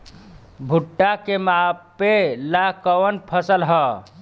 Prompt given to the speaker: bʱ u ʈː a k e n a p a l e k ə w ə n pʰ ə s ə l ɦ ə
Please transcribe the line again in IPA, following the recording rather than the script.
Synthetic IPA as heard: bʱ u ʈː a k e m a p e l a k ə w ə n pʰ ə s ə l ɦ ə